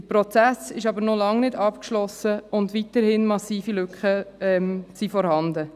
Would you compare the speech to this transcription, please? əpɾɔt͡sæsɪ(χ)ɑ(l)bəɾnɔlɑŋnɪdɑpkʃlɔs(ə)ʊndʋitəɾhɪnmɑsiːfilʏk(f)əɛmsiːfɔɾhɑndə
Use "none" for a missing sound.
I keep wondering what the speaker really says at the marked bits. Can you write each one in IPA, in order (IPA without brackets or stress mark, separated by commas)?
ʃ, none, ə, χ